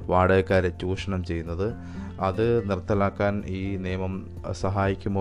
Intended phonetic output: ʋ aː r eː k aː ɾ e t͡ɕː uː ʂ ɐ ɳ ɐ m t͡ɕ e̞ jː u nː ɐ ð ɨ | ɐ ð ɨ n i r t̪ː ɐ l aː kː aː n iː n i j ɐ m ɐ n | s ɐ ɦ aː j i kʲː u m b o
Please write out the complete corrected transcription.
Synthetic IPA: ʋ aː ɽ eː k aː ɾ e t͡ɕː uː ʂ ɐ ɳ ɐ m t͡ɕ e̞ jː u nː ɐ ð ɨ | ɐ ð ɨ n i r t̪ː ɐ l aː kː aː n iː n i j ɐ m ɐ m | s ɐ ɦ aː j i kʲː u m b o